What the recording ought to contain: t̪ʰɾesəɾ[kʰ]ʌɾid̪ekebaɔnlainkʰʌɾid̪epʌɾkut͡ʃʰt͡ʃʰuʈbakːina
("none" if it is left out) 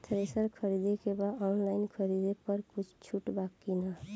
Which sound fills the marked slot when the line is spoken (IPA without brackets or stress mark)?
kʰ